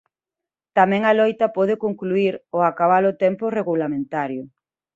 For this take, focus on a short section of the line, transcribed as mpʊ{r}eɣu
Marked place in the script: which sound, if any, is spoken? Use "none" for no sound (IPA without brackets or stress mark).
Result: r